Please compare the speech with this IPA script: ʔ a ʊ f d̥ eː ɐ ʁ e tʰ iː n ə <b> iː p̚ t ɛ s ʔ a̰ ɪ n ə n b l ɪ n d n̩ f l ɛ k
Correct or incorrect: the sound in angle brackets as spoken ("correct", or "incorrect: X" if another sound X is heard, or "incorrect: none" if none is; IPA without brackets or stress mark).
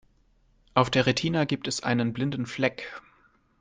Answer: incorrect: ɡ